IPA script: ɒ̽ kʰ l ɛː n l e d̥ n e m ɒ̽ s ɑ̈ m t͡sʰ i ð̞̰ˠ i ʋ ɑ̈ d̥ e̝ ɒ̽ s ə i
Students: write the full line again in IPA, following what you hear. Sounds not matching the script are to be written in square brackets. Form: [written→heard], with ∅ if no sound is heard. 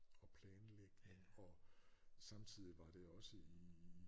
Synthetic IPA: ɒ̽ [kʰ→pʰ] l ɛː n l e [d̥→ɡ̥] n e [m→ŋ] ɒ̽ s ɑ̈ m t͡sʰ i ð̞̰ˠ i ʋ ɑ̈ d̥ e̝ ɒ̽ s ə i